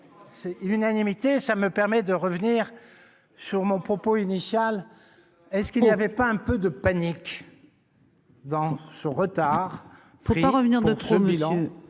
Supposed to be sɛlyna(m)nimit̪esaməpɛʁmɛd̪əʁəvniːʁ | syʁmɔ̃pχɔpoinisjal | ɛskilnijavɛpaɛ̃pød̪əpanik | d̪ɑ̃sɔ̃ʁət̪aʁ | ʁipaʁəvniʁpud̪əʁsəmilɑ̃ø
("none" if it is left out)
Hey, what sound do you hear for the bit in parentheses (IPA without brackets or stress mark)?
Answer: none